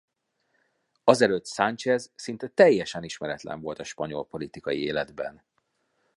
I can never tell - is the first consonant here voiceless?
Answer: no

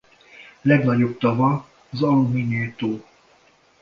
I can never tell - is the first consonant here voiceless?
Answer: no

